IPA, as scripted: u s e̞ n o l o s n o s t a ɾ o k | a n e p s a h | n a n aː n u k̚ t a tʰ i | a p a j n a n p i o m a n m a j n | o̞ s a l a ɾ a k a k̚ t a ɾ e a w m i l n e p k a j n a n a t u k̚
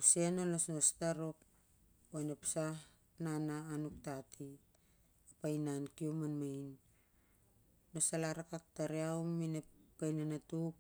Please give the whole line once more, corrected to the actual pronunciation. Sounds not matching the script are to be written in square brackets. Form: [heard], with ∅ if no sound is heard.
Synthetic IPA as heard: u s e̞ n o l o s n o s t a ɾ o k | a n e p s a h | n a n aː n u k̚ t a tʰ i | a p a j n a n [k] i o m a n m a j n | o̞ s a l a ɾ a k a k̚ t a ɾ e a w m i [∅] n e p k a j n a n a t u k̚